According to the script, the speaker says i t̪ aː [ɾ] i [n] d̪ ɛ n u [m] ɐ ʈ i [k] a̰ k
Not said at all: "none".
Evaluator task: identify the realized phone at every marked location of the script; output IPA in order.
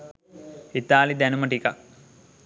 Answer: l, none, m, k

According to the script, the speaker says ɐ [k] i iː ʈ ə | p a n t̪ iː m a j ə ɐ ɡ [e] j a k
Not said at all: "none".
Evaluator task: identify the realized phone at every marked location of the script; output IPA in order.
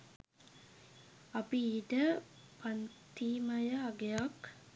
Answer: p, e

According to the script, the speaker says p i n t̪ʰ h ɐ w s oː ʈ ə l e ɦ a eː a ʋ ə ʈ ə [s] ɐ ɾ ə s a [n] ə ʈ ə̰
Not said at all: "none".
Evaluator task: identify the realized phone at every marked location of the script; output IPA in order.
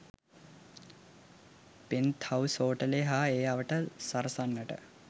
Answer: s, nː

